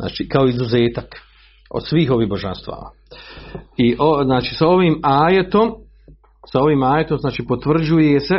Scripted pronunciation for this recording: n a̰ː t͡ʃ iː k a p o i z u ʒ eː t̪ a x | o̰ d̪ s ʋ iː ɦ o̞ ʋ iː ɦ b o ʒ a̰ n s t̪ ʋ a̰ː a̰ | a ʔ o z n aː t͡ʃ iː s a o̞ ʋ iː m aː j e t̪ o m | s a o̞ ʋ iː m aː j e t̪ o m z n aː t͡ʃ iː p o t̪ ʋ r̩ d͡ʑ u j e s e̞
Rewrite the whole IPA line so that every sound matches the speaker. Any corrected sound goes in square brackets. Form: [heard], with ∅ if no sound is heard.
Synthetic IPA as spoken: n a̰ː t͡ʃ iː k a [∅] o i z u [z] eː t̪ a [k] | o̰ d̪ s ʋ iː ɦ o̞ ʋ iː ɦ b o ʒ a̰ n s t̪ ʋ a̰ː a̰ | [i] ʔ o z n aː t͡ʃ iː s a o̞ ʋ iː m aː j e t̪ o m | s a o̞ ʋ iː m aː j e t̪ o m z n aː t͡ʃ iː p o t̪ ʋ r̩ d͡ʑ u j e s e̞